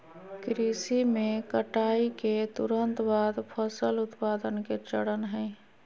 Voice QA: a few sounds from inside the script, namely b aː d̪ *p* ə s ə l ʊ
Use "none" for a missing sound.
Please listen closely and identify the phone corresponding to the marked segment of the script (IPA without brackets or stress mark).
pʰ